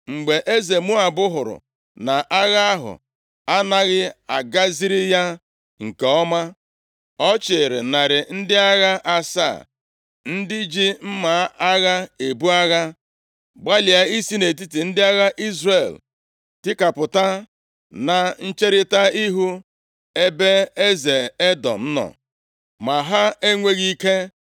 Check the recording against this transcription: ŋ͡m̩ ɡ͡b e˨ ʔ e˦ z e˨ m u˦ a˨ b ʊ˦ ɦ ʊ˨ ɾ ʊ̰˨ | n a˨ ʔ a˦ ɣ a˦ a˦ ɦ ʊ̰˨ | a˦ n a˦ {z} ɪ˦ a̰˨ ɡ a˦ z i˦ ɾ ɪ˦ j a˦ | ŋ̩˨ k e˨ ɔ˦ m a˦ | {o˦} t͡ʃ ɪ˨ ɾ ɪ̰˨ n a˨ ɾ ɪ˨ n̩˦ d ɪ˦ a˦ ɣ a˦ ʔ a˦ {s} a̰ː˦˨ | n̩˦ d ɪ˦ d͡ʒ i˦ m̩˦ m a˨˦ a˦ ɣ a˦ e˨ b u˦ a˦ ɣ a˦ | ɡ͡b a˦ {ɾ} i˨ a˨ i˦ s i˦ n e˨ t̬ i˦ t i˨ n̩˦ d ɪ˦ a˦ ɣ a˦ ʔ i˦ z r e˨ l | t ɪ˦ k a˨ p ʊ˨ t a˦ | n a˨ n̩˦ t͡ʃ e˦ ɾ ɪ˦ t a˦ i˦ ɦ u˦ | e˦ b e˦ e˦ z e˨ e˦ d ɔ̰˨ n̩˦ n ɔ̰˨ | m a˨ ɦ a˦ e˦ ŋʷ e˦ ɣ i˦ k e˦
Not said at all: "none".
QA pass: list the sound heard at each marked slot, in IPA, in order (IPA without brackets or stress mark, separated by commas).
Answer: ɣ, ɔ˦, s, l